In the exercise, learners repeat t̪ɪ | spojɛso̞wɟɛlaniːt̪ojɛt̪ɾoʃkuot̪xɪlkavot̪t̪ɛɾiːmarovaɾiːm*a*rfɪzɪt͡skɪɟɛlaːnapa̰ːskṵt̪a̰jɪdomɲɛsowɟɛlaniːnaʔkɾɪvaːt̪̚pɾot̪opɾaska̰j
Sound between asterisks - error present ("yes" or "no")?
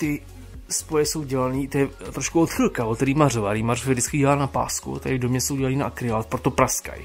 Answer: no